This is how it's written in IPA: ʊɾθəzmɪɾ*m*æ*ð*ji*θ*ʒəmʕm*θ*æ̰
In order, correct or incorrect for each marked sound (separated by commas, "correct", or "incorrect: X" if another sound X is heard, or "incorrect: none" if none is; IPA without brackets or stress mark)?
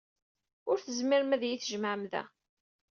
correct, correct, correct, incorrect: ð